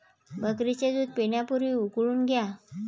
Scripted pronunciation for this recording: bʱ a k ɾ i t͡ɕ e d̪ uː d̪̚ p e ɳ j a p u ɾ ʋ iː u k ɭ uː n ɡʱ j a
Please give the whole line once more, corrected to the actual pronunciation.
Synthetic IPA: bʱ ə k ɾ i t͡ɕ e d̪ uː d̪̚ p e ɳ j a p u ɾ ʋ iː u k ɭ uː n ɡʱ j a

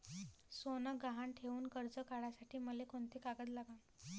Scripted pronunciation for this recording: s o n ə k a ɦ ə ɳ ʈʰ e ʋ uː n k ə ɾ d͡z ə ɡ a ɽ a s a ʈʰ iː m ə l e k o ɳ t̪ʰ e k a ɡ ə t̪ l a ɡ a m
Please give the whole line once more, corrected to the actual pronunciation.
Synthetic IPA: s o n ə ɡ a ɦ a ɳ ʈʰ e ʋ uː n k ə ɾ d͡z ə k a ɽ a s a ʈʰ iː m ə l e k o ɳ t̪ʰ e k a ɡ ə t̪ l a ɡ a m

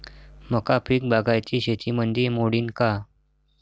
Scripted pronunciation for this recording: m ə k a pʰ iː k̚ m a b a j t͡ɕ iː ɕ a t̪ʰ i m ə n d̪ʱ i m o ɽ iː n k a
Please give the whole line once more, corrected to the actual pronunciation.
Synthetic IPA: m ə k a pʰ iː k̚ b a ɡ a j t͡ɕ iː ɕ e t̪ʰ i m ə n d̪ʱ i m o ɽ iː n k a

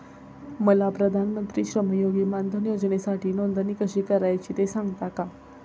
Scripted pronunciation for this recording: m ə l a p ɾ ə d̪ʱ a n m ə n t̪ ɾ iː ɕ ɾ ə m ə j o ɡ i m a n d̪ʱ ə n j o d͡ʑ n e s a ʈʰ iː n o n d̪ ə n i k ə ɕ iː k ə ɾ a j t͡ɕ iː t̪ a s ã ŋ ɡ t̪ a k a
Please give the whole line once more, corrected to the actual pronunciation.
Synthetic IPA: m ə l a p ɾ ə d̪ʱ a n m ə n t̪ ɾ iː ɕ ɾ ə m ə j o ɡ i m a n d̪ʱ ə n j o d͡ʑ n e s a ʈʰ iː n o n d̪ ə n i k ə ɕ iː k ə ɾ a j t͡ɕ iː t̪ e s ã ŋ ɡ t̪ a k a

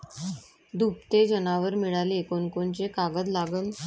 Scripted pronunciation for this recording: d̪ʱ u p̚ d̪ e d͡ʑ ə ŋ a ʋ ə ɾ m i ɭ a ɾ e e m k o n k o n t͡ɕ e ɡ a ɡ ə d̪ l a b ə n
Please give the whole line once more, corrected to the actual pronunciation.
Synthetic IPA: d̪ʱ u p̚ t̪ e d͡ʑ ə n a ʋ ə ɾ m i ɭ a l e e k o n k o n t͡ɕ e k a ɡ ə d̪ l a ɡ ə n

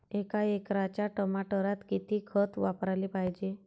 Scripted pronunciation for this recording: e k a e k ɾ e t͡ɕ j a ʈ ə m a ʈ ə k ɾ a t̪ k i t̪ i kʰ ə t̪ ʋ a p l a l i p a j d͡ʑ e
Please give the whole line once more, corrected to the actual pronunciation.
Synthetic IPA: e k a e k ɾ a t͡ɕ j a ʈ ə m a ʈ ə ɾ a t̪ k i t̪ i kʰ ə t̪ ʋ a p ɾ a l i p a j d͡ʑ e

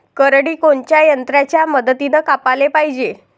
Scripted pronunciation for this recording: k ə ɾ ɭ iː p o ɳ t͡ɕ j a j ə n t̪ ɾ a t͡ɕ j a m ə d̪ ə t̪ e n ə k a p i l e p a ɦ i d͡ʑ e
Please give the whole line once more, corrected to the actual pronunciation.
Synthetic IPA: k ə ɾ ɽ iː k o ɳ t͡ɕ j a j ə n t̪ ɾ a t͡ɕ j a m ə d̪ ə t̪ i n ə k a p a l e p a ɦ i d͡ʑ e

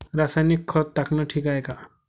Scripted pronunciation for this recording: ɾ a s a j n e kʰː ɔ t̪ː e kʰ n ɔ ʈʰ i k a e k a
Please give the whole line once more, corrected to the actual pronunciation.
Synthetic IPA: ɾ a s a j n i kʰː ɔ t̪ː a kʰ n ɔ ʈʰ i k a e k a

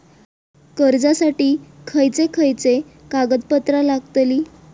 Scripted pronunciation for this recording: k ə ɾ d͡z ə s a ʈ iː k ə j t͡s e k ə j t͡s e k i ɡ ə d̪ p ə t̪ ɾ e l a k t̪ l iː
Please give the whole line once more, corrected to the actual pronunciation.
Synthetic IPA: k ə ɾ d͡z a s a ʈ iː kʰ ə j t͡s e kʰ ə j t͡s e k a ɡ ə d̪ p ə t̪ ɾ a l a ɡ t̪ l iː

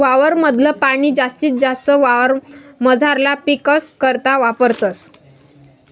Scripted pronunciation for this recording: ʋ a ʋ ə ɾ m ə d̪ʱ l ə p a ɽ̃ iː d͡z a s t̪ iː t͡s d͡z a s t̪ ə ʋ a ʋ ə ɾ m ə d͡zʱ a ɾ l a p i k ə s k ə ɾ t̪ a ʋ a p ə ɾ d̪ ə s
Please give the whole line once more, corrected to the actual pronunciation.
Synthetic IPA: ʋ a ʋ ə ɾ m ə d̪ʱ l ə p a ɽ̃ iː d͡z a s t̪ iː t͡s d͡z a s t̪ ə ʋ a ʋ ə ɾ m ə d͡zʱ a ɾ l a p i k ə s k ə ɾ t̪ a ʋ a p ə ɾ t̪ ə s

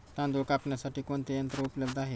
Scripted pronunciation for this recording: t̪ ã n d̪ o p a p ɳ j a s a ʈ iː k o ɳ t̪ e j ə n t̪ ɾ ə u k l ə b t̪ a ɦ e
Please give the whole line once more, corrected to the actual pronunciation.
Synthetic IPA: t̪ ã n d̪ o k a p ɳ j a s a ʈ iː k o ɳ t̪ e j ə n t̪ ɾ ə u p l ə b d̪ a ɦ e

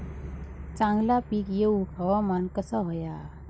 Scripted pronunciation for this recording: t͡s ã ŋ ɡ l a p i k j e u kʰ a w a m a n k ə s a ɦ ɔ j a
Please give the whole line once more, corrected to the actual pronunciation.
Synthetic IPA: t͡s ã ŋ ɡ l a p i k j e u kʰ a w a m a n k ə s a ɦ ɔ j a

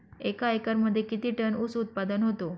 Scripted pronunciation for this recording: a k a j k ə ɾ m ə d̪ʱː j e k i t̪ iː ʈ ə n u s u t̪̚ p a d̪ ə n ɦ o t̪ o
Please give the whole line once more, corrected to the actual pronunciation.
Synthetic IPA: e k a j k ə ɾ m ə d̪ʱː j e k i t̪ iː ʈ ə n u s u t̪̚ p a d̪ ə n ɦ o t̪ o

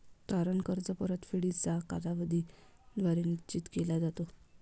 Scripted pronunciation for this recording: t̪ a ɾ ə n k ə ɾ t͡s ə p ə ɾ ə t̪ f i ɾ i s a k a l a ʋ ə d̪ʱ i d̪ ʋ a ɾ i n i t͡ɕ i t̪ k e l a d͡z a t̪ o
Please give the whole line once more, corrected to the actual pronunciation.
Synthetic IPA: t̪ a ɾ ə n k ə ɾ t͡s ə p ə ɾ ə t̪ f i ɽ i t͡s a k a l a ʋ ə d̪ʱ i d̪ ʋ a ɾ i n i t͡ɕ i t̪ k e l a d͡z a t̪ o

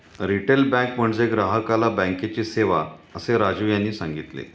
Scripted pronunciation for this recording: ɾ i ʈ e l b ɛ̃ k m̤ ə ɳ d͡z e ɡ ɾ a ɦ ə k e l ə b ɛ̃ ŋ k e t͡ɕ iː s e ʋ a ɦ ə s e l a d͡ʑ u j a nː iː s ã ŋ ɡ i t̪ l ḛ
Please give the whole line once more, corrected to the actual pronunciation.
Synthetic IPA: ɾ i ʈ e l b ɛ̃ k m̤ ə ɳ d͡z e ɡ ɾ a ɦ ə k a l a b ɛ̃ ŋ k e t͡ɕ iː s e ʋ a ə s e ɾ a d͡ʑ u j a nː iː s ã ŋ ɡ i t̪ l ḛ

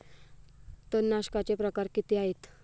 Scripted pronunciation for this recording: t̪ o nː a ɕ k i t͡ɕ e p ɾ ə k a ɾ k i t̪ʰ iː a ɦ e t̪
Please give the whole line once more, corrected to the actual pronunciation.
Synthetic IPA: t̪ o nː a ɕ k a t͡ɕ e p ɾ ə k a ɾ k i t̪ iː a ɦ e t̪

